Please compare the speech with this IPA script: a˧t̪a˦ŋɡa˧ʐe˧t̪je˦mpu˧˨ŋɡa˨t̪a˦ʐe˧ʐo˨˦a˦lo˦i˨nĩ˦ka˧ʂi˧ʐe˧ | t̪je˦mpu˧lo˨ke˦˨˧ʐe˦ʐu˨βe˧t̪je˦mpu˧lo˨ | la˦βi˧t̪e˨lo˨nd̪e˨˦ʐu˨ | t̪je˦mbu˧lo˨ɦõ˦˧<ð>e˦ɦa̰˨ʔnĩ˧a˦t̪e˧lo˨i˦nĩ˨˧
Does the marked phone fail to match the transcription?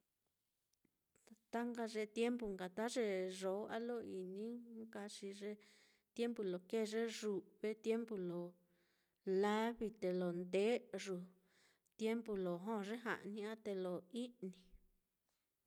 yes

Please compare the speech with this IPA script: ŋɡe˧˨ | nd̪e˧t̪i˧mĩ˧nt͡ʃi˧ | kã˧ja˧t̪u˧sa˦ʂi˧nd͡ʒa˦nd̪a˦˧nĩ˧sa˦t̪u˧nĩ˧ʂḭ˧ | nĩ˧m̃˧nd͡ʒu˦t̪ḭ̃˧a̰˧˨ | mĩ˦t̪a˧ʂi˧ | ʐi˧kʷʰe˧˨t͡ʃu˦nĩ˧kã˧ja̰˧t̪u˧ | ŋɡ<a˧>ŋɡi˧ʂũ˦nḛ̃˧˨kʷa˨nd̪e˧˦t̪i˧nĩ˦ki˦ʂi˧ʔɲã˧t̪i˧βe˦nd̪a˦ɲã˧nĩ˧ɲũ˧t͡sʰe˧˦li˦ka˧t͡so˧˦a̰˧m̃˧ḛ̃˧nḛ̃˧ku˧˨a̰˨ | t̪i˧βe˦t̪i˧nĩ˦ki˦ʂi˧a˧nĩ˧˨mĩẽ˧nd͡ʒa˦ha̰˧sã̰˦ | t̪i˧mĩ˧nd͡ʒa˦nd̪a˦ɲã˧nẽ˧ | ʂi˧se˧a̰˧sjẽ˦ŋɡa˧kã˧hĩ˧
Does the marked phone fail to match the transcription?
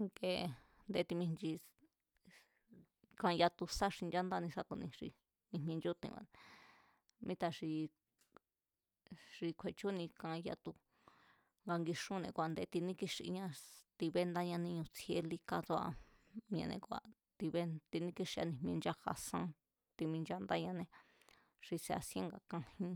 no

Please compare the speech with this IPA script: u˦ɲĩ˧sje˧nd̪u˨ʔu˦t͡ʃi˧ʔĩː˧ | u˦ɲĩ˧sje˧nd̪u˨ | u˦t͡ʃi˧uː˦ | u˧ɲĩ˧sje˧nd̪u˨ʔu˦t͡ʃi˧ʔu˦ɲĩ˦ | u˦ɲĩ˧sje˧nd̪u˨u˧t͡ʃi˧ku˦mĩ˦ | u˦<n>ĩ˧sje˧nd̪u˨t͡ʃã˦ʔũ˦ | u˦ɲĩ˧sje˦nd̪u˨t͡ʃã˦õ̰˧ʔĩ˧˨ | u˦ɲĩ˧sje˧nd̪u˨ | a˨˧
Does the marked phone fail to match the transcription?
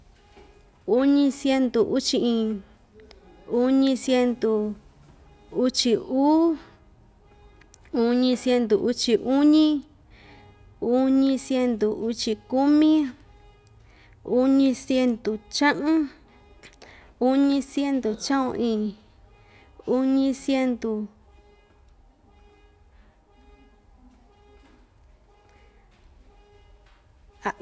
yes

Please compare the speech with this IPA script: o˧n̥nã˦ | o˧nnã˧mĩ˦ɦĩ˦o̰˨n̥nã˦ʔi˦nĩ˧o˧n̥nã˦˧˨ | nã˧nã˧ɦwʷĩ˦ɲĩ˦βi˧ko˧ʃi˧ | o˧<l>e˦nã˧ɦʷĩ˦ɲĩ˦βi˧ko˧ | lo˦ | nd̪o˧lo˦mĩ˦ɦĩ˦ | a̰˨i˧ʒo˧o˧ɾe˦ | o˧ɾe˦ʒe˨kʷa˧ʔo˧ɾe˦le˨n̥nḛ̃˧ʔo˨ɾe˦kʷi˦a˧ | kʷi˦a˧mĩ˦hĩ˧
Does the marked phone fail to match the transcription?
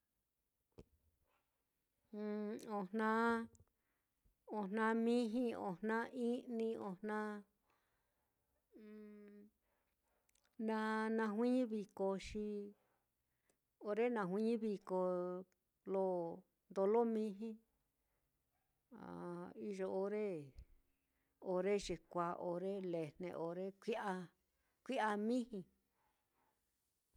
yes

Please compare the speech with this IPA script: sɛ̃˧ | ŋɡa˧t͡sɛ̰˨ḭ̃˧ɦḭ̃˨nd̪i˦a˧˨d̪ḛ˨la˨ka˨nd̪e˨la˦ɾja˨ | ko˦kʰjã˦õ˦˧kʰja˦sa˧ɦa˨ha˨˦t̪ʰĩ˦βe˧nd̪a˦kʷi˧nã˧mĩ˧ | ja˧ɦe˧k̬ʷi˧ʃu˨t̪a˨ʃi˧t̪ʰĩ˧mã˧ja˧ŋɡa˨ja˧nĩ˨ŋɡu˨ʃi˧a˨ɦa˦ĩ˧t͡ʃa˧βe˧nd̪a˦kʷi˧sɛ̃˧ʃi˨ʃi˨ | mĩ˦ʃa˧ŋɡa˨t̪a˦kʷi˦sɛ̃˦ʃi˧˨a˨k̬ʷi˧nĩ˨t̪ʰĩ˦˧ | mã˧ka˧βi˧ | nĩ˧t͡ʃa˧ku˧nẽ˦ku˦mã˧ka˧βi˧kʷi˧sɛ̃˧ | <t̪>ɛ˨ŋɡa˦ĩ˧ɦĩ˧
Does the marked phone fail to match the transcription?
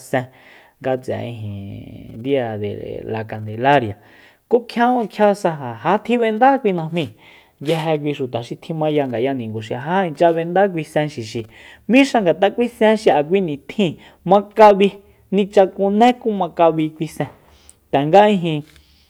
no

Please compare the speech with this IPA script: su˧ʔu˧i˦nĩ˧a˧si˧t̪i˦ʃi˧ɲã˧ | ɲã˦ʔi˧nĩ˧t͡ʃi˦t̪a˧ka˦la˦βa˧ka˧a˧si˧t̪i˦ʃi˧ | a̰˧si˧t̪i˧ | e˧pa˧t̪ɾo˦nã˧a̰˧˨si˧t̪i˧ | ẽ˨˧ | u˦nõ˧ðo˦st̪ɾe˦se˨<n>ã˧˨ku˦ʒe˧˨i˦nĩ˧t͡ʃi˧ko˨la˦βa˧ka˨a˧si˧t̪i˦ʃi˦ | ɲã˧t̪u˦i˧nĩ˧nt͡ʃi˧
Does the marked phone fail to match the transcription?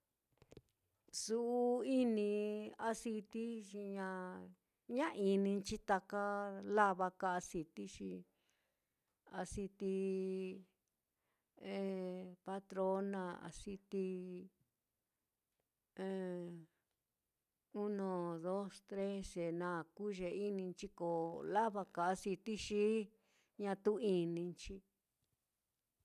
no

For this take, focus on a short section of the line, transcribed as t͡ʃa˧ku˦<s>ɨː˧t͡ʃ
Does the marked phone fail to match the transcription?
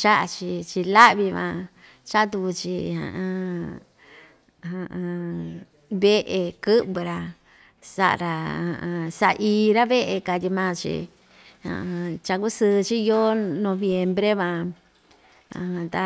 no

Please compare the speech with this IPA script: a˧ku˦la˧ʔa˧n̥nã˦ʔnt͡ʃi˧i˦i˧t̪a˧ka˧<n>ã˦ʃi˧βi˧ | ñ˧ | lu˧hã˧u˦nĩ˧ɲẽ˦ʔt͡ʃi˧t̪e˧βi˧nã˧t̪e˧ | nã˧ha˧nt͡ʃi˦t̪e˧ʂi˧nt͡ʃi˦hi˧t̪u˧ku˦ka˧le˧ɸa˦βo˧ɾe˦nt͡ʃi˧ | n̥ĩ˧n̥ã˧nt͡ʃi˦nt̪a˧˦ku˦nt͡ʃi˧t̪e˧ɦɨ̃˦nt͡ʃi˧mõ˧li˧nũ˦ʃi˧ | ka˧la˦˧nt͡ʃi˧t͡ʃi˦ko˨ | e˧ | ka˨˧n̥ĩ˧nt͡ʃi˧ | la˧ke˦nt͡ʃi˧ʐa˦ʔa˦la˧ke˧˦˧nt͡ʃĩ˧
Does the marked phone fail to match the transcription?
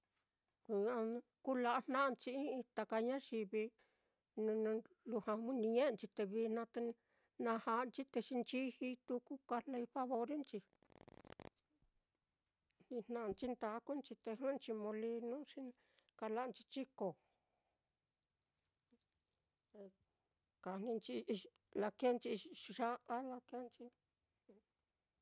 yes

